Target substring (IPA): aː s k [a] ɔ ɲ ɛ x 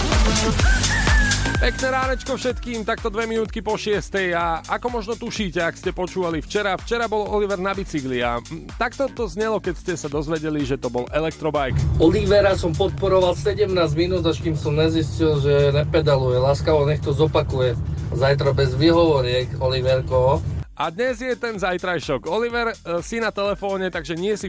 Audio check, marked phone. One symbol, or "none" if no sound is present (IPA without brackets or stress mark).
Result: a